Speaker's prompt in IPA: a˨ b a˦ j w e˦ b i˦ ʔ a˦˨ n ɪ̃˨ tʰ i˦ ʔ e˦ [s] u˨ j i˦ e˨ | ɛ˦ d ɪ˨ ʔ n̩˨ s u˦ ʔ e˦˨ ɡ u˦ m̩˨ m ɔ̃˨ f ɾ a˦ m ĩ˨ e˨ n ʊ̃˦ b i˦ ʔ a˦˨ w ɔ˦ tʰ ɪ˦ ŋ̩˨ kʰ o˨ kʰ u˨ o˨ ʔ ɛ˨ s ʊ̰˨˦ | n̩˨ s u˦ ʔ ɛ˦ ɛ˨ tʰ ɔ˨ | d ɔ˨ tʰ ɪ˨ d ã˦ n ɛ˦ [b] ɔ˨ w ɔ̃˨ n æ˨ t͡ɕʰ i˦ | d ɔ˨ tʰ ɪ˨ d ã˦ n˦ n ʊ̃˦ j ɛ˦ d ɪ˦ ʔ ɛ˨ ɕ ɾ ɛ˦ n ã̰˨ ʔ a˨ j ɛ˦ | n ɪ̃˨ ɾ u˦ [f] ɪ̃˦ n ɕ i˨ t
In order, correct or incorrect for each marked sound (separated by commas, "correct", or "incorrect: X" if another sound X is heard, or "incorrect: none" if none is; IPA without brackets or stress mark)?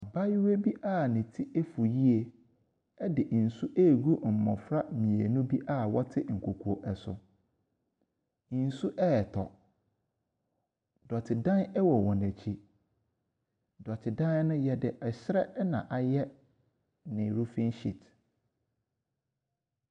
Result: incorrect: f, incorrect: w, correct